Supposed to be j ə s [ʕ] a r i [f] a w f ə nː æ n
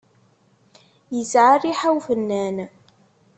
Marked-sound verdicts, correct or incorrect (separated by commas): correct, incorrect